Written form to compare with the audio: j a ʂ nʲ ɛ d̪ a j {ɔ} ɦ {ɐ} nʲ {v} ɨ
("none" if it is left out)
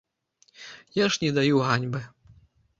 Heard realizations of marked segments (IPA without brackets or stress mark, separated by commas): u, a, b